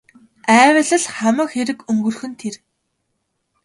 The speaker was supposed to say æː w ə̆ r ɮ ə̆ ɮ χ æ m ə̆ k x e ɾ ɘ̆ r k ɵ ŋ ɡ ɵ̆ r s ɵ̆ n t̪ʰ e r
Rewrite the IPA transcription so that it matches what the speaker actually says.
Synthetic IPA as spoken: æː w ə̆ ɮ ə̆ ɮ χ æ m ə̆ k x e ɾ ɘ̆ k ɵ ŋ ɡ ɵ̆ r x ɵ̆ n t̪ʰ e r